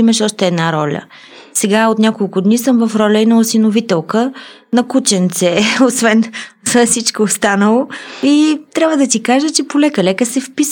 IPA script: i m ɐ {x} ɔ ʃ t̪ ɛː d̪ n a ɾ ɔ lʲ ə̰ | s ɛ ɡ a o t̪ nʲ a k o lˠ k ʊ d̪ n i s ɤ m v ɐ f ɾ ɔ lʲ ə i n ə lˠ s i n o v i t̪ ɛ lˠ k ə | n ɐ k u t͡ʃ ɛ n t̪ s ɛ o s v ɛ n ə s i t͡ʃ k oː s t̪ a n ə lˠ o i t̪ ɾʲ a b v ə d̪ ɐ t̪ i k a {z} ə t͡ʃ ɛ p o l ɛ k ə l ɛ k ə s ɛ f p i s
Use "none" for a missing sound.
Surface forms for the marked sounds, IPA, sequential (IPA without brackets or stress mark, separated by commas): ʃ, ʒ